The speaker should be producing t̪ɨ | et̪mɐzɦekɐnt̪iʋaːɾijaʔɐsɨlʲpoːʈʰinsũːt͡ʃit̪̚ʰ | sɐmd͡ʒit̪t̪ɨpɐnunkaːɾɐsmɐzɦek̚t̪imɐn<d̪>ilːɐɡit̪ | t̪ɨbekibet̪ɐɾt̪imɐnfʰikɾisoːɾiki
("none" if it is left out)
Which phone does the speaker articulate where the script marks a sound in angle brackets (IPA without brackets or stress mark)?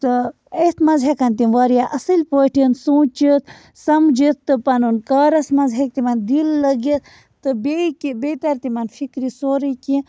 d̪